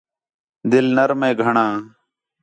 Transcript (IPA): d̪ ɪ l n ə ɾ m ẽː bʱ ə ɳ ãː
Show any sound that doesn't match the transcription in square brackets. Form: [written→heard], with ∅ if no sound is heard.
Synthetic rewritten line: d̪ ɪ l n ə ɾ m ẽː [bʱ→ɡʱ] ə ɳ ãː